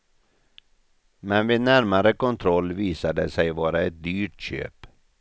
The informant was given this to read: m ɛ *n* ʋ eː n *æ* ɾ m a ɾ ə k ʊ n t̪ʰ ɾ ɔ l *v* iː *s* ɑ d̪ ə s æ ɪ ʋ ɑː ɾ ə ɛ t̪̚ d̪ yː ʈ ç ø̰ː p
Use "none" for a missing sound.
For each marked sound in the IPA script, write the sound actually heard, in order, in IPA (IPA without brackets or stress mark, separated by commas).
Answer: n, æ, ʋ, s